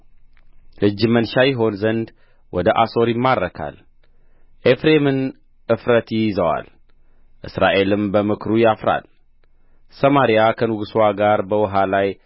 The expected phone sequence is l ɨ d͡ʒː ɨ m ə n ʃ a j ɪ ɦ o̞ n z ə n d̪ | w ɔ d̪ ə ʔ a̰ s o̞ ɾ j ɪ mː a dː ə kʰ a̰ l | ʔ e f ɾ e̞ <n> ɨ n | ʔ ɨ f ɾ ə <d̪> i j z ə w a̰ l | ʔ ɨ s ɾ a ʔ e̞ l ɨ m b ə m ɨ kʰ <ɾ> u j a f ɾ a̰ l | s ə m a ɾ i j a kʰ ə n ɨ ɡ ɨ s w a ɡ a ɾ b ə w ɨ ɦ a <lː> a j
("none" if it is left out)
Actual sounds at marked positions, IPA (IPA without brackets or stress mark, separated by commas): m, t̪, ɾ, l